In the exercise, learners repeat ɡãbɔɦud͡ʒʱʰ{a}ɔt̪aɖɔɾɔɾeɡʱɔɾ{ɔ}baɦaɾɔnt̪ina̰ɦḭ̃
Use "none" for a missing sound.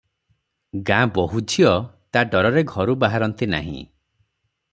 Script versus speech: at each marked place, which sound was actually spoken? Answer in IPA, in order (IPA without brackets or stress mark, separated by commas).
i, u